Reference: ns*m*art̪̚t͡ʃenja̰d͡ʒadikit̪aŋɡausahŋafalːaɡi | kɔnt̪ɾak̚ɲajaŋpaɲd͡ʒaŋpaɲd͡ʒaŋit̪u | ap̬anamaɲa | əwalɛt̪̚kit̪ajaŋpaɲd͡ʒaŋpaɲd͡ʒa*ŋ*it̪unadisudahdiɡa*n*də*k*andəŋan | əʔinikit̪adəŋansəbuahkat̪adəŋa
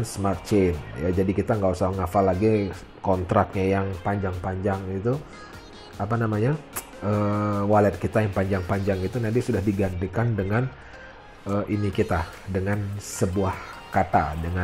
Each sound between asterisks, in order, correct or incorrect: correct, correct, correct, correct

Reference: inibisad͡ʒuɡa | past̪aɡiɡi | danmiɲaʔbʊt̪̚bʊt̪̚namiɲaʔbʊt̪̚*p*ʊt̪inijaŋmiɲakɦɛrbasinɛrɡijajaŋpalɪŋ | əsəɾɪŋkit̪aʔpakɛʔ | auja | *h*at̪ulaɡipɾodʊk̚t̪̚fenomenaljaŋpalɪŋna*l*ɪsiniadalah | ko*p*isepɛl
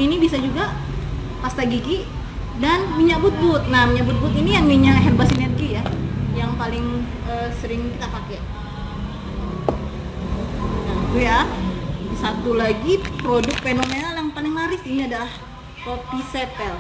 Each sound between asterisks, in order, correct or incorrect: incorrect: b, incorrect: s, incorrect: ɾ, correct

